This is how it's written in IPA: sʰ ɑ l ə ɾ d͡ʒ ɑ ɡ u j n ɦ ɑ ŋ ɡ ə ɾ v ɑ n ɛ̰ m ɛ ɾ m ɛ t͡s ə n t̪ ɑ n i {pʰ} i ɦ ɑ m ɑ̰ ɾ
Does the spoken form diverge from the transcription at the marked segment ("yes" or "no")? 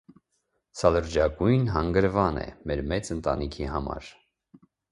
yes